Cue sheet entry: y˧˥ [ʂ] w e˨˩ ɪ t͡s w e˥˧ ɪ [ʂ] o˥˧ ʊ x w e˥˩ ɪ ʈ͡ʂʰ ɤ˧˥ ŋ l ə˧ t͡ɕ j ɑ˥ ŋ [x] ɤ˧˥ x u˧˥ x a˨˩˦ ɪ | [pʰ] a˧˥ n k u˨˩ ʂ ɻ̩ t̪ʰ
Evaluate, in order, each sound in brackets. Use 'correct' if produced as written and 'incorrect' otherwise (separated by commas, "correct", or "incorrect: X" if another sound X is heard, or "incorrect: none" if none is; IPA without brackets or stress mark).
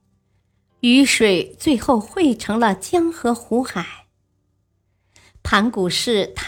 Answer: correct, incorrect: x, correct, correct